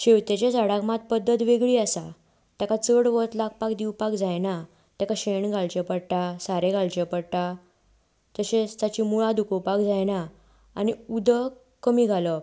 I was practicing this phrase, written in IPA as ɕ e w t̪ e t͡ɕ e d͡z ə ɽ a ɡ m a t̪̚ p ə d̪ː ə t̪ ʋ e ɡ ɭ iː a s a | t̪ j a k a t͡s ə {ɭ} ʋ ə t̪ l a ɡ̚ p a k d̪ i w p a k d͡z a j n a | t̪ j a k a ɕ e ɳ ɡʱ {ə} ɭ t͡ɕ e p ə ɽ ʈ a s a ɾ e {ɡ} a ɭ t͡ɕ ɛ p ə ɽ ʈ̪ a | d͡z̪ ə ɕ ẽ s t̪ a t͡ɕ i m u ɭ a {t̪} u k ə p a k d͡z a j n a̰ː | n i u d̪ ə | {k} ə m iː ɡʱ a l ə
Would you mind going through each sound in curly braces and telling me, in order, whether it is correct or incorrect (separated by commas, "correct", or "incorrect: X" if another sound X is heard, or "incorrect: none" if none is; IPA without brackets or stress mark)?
incorrect: ɽ, incorrect: a, correct, incorrect: d̪, correct